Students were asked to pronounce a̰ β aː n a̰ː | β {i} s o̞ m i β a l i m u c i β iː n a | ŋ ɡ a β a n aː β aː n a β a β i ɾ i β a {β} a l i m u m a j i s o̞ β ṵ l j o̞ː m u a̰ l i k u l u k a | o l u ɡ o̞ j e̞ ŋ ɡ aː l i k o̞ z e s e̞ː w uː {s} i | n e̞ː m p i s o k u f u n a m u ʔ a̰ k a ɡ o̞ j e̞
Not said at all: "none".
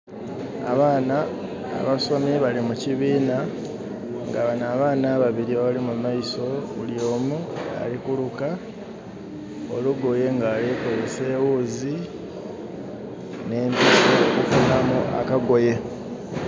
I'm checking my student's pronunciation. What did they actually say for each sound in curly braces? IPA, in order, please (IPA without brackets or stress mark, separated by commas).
a, β, z